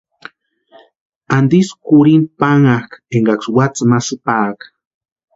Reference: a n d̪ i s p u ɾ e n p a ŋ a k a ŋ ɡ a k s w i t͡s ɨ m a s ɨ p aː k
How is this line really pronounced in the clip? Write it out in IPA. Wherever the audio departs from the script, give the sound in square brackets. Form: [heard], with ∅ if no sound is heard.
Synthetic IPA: a n d̪ i s [k] u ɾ [i] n p a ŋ a k [e] ŋ ɡ a k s w [a] t͡s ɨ m a s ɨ p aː k